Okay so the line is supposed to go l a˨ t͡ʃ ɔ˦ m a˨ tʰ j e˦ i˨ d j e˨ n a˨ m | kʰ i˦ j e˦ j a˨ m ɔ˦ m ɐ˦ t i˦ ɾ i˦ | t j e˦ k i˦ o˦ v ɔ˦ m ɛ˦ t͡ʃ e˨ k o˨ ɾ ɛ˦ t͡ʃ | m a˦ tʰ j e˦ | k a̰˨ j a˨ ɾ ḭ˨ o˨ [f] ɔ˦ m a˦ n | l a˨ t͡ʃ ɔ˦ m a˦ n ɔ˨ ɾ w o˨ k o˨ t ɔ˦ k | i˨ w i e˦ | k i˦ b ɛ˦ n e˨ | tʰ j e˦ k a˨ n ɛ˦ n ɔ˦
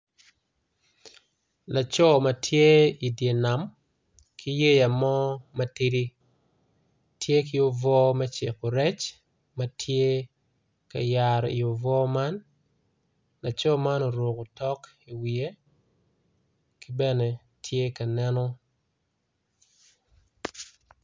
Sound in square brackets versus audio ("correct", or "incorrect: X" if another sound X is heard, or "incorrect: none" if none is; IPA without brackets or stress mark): incorrect: v